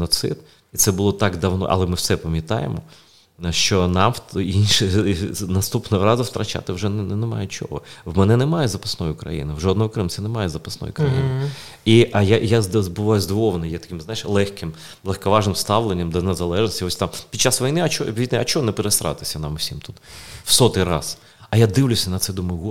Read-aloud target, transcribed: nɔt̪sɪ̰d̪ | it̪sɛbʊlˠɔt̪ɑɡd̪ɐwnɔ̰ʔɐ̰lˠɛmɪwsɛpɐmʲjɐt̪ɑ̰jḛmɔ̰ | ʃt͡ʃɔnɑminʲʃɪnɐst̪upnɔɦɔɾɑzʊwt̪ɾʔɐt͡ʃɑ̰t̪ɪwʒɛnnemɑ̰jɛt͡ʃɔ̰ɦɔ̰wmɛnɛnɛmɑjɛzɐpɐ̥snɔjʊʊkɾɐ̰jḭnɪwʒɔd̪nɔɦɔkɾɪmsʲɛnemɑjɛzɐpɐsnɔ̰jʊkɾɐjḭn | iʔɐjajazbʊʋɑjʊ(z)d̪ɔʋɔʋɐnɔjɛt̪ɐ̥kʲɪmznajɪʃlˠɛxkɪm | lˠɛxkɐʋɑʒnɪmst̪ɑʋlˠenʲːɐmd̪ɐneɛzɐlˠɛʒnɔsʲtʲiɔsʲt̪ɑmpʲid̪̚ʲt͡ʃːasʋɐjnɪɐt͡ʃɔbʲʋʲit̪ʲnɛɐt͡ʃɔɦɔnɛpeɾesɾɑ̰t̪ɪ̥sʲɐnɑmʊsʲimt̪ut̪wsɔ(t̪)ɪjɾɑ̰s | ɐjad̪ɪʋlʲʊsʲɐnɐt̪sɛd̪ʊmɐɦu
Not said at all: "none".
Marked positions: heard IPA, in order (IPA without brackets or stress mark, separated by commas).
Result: z, t̪